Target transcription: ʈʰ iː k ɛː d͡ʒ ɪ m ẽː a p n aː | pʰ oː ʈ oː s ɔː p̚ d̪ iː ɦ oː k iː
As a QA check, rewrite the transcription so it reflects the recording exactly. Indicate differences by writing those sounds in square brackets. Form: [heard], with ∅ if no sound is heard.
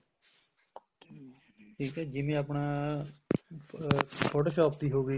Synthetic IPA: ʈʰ iː k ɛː d͡ʒ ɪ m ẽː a p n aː | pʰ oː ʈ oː [ʃ] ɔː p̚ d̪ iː ɦ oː [ɡ] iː